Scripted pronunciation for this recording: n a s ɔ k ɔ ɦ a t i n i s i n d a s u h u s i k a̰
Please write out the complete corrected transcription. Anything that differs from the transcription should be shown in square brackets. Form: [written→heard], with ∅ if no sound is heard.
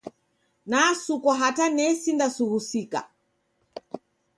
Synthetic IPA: n a s [ɔ→u] k ɔ ɦ a t [i→a] n [i→ɛ] s i n d a s u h u s i k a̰